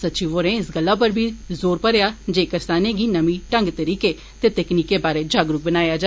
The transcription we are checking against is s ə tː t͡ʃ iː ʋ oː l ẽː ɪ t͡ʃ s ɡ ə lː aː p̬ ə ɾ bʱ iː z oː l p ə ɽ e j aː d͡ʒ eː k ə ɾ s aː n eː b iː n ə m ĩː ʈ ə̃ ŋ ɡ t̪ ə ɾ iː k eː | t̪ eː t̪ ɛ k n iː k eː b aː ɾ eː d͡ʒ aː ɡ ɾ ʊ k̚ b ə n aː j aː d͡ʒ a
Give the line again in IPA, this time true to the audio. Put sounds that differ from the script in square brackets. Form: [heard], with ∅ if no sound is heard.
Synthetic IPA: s ə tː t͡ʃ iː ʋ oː [ɾ] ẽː ɪ [∅] s ɡ ə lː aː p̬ ə ɾ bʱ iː z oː [ɾ] p ə [ɾ] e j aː d͡ʒ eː k ə ɾ s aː n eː [ɡ] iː n ə m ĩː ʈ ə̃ ŋ ɡ t̪ ə ɾ iː k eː | t̪ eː t̪ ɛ k n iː k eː b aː ɾ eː d͡ʒ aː ɡ ɾ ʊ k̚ b ə n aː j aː d͡ʒ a